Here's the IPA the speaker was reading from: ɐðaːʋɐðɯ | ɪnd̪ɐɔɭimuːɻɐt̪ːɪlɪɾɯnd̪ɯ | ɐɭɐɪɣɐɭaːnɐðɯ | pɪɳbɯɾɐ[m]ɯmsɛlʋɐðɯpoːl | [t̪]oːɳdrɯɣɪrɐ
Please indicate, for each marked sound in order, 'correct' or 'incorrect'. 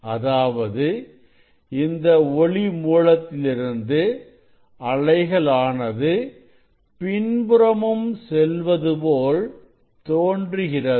correct, correct

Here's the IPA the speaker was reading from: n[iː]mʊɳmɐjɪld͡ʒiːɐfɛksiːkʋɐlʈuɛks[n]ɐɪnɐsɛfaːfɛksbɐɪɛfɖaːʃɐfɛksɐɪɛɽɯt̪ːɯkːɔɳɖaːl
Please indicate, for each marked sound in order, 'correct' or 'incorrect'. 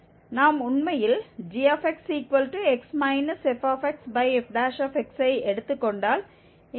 incorrect: aː, incorrect: m

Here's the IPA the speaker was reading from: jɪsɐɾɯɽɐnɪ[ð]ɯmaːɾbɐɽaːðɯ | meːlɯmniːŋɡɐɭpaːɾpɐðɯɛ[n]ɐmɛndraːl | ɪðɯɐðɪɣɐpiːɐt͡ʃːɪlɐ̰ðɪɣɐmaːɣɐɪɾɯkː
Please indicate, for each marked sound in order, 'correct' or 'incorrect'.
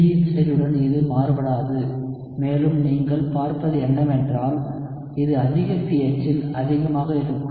correct, incorrect: nː

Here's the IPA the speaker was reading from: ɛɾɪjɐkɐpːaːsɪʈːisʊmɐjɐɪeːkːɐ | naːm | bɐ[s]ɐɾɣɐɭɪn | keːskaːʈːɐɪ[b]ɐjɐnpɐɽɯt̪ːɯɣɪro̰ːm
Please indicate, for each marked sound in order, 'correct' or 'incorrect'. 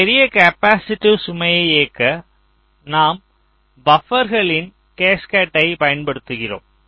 incorrect: f, incorrect: p

